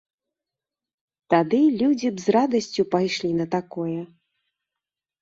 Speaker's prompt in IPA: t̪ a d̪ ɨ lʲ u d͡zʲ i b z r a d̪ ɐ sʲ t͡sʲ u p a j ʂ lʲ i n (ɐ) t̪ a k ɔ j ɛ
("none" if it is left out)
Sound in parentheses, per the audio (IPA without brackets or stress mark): ɐ